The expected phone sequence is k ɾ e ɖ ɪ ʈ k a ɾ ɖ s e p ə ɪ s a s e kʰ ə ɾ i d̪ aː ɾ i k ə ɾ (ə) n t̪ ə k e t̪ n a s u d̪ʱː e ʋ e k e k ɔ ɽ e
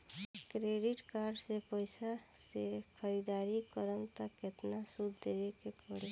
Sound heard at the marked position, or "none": ə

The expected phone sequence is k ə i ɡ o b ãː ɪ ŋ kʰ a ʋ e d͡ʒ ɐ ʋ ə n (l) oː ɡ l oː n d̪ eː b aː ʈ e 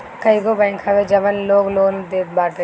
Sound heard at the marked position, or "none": l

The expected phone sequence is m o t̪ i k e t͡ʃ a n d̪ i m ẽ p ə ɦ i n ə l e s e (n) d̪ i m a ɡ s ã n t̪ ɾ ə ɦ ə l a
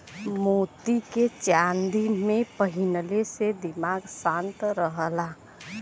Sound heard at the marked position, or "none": none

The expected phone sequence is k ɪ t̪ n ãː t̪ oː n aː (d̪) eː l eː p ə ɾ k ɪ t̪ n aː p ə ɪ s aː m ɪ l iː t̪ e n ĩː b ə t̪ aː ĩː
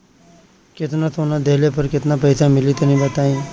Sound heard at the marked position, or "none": d̪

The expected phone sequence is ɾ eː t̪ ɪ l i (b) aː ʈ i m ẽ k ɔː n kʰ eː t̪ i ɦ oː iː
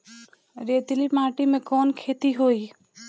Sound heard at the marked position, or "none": m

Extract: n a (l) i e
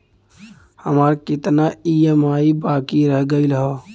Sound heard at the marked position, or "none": none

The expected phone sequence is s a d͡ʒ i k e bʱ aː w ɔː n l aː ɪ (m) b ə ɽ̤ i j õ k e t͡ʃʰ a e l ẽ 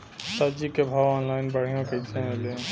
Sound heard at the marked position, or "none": n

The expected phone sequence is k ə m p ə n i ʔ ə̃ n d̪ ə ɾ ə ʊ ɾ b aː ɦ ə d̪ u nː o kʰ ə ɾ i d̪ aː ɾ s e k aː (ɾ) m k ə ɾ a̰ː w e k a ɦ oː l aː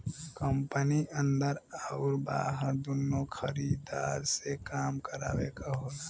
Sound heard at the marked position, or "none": none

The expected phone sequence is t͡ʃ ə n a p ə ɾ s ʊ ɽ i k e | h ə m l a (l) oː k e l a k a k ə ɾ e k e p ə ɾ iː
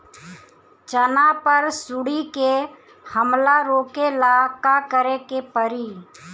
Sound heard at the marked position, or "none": ɾ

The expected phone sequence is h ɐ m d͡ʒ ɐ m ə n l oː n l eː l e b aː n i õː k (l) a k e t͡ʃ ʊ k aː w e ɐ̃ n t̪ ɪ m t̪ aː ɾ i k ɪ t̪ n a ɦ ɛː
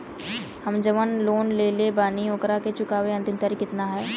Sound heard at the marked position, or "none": ɾ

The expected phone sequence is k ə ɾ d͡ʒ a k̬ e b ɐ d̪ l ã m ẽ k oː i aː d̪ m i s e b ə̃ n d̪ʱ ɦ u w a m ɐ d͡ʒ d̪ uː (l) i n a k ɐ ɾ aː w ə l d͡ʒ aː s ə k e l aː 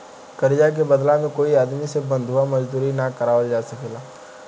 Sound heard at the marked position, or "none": ɾ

